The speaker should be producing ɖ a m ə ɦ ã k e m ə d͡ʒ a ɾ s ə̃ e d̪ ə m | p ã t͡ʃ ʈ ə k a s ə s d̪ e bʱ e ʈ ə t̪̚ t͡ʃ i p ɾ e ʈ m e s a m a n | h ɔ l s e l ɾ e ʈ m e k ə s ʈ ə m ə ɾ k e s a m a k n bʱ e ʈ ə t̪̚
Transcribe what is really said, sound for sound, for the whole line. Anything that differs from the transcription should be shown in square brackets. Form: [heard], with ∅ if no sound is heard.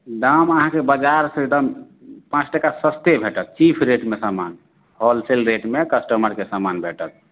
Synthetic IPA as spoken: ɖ a m ə ɦ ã k e [b] ə d͡ʒ a ɾ s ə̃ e d̪ ə m | p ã t͡ʃ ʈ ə k a s ə s [t̪] e bʱ e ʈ ə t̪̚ t͡ʃ i [pʰ] ɾ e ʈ m e s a m a n | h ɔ l s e l ɾ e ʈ m e k ə s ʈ ə m ə ɾ k e s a m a [∅] n bʱ e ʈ ə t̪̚